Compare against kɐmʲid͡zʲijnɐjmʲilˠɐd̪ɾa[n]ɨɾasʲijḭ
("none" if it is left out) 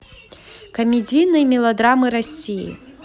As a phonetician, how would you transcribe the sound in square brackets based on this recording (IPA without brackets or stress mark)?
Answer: m